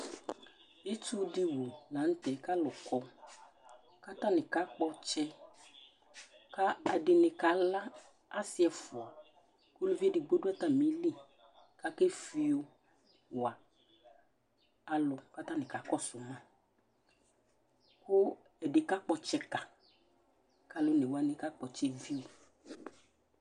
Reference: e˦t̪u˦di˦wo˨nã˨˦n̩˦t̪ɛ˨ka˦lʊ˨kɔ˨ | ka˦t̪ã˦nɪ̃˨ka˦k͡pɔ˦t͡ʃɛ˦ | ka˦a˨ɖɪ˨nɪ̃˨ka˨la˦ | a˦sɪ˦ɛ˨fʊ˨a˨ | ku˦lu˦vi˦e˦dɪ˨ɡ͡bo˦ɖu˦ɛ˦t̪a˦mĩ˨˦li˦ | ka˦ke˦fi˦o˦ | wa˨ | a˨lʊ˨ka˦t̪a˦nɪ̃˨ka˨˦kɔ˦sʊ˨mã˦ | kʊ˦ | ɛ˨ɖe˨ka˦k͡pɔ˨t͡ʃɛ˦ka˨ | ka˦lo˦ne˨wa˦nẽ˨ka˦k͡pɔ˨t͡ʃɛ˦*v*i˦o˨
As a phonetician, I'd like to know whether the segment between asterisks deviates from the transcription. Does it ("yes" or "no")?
no